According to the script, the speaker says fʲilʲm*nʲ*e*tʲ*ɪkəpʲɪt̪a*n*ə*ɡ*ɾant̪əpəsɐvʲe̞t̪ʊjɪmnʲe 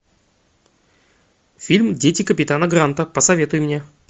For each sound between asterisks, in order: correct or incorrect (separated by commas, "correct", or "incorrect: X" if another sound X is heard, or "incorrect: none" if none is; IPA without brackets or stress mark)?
incorrect: dʲ, correct, correct, correct